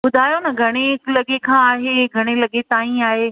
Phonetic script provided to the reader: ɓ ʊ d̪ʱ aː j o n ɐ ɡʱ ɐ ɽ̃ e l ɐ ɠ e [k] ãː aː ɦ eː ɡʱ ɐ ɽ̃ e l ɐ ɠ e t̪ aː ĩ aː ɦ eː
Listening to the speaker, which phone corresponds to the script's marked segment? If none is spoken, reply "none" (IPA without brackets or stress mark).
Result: kʰ